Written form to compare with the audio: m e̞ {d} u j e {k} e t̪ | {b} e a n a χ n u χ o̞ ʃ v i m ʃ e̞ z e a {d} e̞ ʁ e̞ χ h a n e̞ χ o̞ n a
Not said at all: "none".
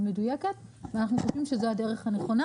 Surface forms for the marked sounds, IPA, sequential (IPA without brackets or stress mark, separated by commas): d, k, v, d